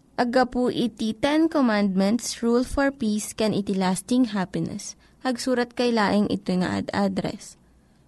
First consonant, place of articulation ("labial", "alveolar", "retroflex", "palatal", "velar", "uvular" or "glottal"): glottal